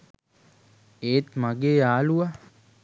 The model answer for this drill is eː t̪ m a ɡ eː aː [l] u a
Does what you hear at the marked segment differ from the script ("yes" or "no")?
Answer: no